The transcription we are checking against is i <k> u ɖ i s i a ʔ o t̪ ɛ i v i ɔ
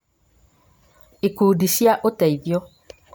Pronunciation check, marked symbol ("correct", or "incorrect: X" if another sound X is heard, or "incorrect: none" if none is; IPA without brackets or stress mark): correct